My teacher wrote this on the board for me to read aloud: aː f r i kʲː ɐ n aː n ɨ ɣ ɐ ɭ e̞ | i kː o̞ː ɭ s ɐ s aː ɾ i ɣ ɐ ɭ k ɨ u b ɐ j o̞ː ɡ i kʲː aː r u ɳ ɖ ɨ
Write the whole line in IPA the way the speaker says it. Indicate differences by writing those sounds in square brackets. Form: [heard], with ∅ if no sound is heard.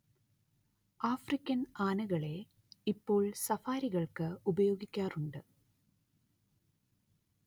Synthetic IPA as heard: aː f r i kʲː ɐ n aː n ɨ ɣ ɐ ɭ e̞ | i [pː] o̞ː ɭ s ɐ [f] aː ɾ i ɣ ɐ ɭ k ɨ u b ɐ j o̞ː ɡ i kʲː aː r u ɳ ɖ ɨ